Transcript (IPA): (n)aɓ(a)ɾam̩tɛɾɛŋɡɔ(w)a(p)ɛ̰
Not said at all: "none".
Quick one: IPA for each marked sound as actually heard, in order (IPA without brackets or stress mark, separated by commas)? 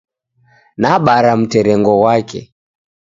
n, a, w, k